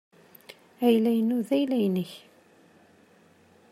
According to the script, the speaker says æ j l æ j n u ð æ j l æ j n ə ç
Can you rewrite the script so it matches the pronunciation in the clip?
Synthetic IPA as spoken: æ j l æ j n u ð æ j l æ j n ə ç